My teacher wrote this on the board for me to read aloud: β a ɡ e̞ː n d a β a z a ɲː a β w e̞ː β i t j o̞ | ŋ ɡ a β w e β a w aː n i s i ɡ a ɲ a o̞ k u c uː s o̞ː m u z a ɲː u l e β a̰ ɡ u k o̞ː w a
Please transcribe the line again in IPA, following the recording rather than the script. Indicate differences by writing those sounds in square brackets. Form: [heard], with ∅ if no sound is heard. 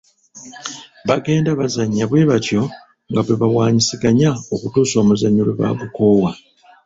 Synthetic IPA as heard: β a ɡ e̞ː n d a β a z a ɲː a β w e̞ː β [a] t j o̞ | ŋ ɡ a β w e β a w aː [ɲ] i s i ɡ a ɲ a o̞ k u [t] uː s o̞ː m u z a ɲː u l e β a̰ ɡ u k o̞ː w a